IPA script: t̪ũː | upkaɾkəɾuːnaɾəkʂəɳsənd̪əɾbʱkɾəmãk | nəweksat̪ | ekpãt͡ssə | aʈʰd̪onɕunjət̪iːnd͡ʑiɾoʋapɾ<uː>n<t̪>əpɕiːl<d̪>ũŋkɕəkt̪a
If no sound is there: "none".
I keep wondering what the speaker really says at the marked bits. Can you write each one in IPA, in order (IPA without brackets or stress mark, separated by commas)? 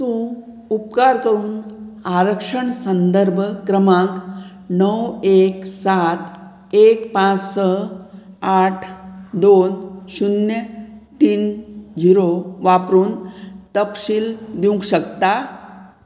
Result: uː, t̪, d̪